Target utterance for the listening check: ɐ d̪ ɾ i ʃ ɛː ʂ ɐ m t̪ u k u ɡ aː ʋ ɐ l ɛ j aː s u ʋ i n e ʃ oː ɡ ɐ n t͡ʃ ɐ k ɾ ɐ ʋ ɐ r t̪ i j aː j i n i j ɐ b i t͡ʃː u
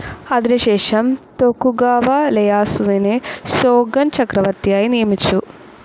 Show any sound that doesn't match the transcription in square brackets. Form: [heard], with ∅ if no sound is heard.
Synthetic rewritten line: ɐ d̪ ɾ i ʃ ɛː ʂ ɐ m t̪ [o] k u ɡ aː ʋ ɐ l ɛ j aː s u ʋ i n e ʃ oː ɡ ɐ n t͡ʃ ɐ k ɾ ɐ ʋ ɐ [ɾ] t̪ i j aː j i n i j ɐ [m] i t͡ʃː u